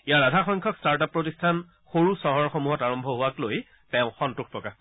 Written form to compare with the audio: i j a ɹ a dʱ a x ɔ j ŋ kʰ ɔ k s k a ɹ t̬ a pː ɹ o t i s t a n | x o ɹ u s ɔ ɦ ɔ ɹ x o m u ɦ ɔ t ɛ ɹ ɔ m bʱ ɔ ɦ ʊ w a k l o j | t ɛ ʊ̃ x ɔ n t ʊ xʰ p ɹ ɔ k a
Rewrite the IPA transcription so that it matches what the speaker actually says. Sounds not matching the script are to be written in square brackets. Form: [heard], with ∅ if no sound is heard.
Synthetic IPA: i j a ɹ a dʱ a x ɔ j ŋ kʰ ɔ k s [t] a ɹ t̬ a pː ɹ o t i s [tʰ] a n | x o ɹ u s ɔ ɦ ɔ ɹ x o m u ɦ ɔ t [a] ɹ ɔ m bʱ ɔ ɦ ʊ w a k l o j | t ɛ ʊ̃ x ɔ n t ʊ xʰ p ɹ ɔ k a